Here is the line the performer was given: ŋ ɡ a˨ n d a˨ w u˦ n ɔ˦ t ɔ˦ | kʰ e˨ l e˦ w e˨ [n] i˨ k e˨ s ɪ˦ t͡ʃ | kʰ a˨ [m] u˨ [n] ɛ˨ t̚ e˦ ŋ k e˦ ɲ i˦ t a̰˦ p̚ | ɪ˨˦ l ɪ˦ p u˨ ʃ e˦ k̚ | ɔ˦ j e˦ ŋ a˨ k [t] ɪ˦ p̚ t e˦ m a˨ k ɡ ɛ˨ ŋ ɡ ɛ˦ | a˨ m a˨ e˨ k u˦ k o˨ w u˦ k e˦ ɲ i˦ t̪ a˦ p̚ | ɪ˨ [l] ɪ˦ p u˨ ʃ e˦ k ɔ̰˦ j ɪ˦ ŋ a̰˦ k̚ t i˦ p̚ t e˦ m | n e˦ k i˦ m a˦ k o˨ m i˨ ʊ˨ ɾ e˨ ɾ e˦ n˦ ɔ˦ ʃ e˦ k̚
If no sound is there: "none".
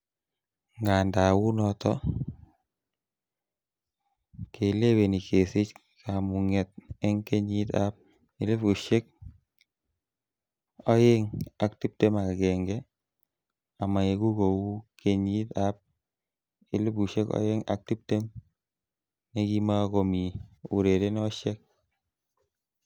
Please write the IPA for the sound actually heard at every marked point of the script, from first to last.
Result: n, m, ŋ, t, l

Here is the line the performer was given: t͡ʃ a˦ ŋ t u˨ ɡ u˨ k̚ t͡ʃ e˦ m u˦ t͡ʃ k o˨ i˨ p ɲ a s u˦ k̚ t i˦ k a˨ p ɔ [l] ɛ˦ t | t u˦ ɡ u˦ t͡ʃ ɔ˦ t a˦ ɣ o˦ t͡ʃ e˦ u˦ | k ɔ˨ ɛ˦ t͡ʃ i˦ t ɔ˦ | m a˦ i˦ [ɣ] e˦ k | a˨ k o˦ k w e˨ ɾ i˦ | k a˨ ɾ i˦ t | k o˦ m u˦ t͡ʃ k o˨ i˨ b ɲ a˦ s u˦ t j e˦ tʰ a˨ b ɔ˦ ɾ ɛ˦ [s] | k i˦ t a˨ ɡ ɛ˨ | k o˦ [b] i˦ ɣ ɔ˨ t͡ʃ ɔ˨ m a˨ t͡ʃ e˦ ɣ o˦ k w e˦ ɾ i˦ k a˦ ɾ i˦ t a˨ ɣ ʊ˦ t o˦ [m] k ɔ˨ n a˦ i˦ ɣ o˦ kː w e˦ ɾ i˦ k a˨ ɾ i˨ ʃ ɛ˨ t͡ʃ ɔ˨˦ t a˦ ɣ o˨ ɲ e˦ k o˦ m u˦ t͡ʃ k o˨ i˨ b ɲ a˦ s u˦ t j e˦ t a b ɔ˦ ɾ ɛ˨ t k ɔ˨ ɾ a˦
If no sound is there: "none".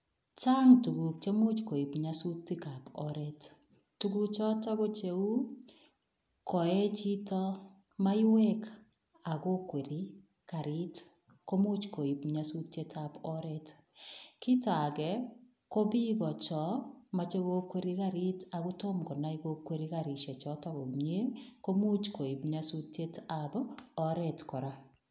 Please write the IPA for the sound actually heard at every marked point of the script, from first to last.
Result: ɾ, w, t, b, m

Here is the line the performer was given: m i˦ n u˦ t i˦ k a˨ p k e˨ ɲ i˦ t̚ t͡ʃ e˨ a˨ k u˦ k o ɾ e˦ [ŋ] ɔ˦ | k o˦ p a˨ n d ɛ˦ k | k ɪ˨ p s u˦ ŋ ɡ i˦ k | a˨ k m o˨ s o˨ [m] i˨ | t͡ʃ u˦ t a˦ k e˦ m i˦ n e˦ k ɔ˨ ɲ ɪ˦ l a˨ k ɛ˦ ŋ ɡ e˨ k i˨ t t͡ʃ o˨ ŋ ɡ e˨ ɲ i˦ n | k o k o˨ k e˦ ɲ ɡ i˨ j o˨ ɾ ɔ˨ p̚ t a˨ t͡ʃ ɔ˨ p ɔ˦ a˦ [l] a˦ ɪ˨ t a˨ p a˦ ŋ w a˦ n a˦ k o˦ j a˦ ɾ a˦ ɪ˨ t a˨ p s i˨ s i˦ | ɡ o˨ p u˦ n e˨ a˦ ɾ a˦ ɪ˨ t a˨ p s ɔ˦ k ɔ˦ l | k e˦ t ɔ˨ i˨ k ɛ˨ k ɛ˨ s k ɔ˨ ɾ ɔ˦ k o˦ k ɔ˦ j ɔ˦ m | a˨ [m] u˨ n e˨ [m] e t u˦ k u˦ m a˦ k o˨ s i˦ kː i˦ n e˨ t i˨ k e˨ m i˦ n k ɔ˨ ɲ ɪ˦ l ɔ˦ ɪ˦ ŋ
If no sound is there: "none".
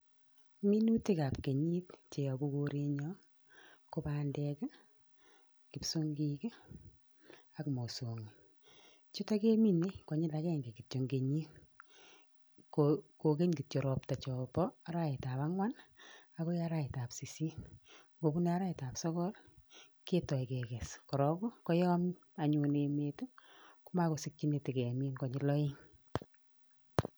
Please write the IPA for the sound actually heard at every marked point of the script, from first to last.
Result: ɲ, ŋ, ɾ, ɲ, m

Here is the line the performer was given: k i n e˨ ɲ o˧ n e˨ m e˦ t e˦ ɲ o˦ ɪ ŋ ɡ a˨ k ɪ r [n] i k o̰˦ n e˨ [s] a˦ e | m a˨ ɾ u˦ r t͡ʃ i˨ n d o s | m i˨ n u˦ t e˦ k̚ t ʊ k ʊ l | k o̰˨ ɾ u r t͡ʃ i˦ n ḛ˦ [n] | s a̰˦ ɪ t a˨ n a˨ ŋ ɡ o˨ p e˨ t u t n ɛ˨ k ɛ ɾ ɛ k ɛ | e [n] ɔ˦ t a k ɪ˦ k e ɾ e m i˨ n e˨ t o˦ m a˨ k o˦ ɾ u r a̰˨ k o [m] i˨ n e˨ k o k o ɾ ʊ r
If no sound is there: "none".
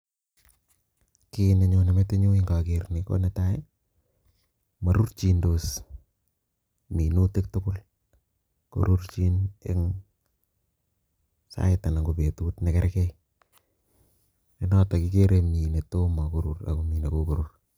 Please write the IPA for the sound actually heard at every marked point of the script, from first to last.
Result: n, t, ŋ, n, m

